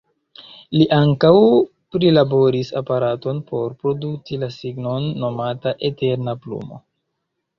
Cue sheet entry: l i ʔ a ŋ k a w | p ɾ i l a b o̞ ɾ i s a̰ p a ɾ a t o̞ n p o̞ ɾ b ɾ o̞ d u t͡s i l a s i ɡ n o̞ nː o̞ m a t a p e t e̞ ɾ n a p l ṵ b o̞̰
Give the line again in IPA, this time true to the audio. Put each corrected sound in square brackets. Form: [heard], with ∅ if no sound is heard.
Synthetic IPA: l i ʔ a ŋ k a w | p ɾ i l a b o̞ ɾ i s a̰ p a ɾ a t o̞ n p o̞ ɾ [p] ɾ o̞ d u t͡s i l a s i ɡ n o̞ nː o̞ m a t a [ʔ] e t e̞ ɾ n a p l ṵ [m] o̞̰